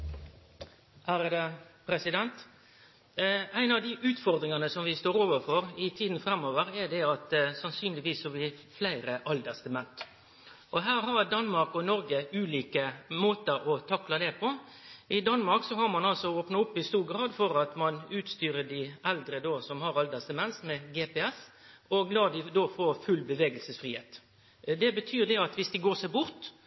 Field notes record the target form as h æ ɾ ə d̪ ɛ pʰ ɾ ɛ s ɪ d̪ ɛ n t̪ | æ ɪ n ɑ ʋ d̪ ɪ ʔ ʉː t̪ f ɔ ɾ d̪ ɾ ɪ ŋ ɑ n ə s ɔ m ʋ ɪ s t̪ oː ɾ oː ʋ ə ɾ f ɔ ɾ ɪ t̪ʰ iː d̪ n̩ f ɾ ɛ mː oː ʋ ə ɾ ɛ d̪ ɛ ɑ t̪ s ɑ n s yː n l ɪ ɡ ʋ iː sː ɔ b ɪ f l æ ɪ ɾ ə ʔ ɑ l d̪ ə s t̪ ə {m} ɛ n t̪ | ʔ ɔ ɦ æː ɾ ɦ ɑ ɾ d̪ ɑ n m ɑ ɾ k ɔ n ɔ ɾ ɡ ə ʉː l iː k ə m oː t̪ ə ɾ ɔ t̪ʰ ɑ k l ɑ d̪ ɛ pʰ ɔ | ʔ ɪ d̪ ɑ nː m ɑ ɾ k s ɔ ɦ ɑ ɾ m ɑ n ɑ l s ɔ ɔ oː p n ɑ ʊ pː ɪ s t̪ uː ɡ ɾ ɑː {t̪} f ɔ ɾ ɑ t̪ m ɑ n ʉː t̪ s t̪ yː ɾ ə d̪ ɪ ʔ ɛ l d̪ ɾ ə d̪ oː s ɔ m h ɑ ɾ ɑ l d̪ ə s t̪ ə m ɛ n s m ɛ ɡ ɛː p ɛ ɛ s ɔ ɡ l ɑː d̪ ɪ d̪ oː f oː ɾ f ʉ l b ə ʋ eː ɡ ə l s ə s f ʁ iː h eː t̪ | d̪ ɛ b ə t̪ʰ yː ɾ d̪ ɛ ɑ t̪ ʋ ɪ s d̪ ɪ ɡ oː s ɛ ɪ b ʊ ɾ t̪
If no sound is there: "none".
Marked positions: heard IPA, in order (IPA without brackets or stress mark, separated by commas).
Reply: m, d̪